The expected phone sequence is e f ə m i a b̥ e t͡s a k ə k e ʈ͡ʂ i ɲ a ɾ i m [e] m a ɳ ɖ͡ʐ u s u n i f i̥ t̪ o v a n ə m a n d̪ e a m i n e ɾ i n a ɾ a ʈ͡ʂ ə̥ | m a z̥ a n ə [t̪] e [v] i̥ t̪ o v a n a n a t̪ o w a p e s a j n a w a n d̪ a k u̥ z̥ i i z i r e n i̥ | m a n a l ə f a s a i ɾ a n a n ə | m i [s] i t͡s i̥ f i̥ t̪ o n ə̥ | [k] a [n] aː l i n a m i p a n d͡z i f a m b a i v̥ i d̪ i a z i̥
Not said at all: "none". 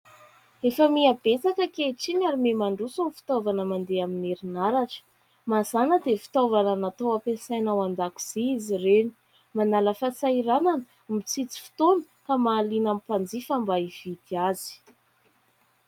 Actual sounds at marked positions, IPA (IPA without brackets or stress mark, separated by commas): e, d̪, f, t͡s, k, m